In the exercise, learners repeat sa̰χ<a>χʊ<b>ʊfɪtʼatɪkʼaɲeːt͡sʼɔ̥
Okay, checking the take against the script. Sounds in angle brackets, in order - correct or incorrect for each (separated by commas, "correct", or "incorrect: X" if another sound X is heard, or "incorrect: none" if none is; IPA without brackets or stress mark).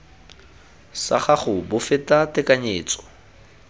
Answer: correct, correct